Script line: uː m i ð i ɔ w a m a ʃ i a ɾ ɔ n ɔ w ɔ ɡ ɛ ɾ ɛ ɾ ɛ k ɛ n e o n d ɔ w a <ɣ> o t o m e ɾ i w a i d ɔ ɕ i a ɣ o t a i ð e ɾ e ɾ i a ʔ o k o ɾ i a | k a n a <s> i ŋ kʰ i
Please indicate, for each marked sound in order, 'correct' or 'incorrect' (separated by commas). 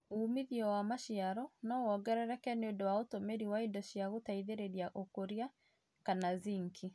incorrect, incorrect